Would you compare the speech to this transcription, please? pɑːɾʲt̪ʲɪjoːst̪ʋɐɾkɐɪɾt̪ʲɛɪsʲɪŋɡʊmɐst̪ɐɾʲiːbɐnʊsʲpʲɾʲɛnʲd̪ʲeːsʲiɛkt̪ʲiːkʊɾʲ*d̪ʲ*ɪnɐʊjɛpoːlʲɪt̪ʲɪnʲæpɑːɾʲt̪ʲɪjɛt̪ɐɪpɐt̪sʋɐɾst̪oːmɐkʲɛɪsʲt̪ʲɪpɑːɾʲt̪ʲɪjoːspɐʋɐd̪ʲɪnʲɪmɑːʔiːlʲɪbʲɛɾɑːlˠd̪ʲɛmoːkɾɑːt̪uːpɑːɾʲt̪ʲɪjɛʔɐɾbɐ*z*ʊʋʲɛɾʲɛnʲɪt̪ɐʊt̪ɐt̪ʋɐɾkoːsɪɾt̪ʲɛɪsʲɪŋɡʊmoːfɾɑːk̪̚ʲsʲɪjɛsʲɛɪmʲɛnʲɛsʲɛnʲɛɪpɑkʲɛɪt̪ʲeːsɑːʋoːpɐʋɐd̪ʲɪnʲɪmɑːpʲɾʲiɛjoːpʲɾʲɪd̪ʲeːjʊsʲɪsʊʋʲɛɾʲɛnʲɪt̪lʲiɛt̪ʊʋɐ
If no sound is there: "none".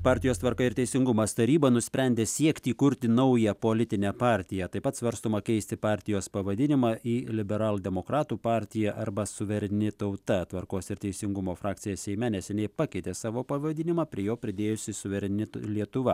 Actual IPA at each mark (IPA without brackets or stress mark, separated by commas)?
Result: t̪ʲ, s